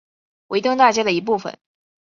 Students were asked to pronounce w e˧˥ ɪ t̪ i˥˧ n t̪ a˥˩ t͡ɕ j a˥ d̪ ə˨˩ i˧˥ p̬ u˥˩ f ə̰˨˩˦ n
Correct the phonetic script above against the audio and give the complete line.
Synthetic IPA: w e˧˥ ɪ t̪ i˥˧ ŋ t̪ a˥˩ t͡ɕ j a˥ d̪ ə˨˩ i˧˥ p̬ u˥˩ f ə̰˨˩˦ n